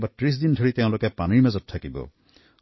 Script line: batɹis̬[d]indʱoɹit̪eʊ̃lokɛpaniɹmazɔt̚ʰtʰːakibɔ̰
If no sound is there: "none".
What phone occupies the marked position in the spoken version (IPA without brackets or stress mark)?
d